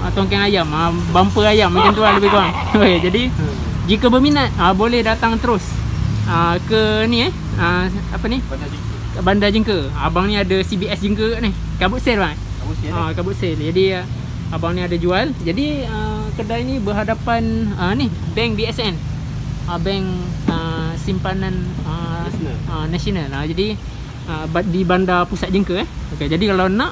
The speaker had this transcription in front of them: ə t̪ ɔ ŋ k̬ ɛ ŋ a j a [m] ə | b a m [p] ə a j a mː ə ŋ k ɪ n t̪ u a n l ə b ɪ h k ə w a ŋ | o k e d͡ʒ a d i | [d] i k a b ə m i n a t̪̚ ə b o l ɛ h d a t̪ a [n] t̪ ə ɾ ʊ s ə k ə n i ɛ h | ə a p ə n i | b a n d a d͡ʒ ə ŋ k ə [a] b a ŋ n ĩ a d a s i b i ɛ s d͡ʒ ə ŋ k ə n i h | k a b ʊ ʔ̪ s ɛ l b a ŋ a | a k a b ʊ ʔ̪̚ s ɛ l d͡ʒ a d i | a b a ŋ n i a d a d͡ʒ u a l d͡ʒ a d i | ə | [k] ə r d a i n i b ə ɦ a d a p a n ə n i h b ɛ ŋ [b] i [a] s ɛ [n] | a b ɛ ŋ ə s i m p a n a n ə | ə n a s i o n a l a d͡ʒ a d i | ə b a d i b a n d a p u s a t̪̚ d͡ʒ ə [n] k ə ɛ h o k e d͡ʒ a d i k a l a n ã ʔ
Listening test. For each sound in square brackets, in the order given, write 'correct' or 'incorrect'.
correct, correct, incorrect, incorrect, correct, correct, correct, incorrect, correct, incorrect

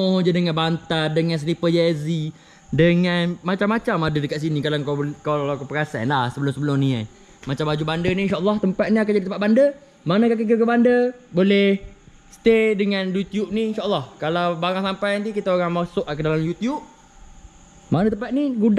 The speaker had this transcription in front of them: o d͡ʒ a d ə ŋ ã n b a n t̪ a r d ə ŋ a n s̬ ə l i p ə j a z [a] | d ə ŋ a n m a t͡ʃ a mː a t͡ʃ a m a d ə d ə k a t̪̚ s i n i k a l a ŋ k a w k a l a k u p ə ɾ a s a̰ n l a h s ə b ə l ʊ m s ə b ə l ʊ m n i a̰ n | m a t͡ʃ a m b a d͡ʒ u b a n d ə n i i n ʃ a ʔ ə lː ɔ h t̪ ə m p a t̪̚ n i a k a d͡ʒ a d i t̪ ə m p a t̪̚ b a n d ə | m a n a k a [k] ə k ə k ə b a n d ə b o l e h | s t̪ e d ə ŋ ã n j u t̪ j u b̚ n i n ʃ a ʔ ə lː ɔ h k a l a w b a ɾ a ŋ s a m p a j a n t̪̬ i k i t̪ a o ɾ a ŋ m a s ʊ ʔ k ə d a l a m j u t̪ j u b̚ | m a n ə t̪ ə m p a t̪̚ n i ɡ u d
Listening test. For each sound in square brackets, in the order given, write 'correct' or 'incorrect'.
incorrect, correct

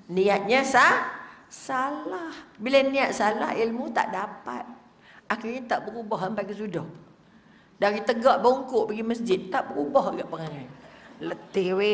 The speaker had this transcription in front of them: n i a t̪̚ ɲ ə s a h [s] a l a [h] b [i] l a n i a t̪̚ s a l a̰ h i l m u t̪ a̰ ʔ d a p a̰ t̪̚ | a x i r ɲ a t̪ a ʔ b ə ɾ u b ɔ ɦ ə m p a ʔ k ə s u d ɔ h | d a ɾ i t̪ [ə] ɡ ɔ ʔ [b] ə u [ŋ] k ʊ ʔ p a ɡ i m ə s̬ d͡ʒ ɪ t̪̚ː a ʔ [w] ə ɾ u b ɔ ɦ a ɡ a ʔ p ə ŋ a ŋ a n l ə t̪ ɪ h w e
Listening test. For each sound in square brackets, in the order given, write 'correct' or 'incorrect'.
correct, correct, correct, correct, correct, correct, incorrect

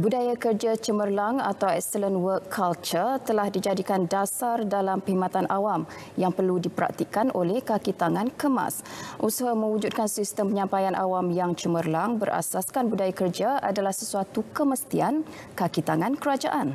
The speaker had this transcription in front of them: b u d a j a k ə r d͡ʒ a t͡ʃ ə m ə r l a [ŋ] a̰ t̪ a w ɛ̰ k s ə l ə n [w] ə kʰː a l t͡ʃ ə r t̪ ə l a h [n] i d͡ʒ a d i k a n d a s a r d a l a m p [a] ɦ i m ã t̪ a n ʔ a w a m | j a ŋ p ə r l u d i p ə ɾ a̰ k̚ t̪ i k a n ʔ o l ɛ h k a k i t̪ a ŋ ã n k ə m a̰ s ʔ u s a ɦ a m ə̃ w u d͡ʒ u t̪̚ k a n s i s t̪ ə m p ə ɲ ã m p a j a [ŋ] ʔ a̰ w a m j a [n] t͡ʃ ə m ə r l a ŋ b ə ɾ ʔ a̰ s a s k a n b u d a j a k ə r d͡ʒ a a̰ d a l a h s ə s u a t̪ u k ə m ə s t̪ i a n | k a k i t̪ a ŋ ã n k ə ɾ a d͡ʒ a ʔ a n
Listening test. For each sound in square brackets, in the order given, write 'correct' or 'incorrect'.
correct, correct, incorrect, incorrect, incorrect, incorrect

